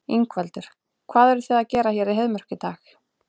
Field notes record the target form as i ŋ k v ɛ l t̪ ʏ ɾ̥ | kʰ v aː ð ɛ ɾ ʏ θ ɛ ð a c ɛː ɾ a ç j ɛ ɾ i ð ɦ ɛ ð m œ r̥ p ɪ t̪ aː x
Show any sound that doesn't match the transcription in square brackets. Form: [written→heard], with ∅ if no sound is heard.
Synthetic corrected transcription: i ŋ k v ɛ l t̪ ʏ ɾ̥ | kʰ v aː ð ɛ ɾ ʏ θ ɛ ð a c ɛː ɾ a ç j ɛ ɾ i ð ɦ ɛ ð m œ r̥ [p→c] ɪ t̪ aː x